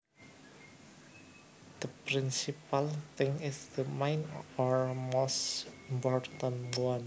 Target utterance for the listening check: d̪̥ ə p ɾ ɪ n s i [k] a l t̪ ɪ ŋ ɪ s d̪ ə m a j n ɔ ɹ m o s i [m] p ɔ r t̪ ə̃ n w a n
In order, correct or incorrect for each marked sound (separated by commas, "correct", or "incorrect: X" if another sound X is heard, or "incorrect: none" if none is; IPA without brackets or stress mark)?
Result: incorrect: p, correct